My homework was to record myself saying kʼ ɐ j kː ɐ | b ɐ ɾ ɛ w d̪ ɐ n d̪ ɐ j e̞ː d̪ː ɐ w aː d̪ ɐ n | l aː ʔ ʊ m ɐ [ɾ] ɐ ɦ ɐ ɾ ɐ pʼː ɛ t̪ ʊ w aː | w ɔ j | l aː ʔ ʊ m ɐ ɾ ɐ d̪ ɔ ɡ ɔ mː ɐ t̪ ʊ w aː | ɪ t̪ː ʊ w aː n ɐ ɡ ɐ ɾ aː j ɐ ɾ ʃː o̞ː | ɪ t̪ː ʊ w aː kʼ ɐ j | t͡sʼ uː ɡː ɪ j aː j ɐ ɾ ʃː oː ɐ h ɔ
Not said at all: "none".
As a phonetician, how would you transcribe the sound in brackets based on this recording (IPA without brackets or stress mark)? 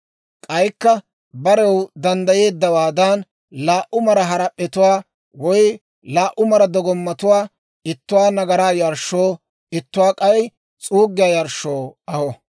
ɾ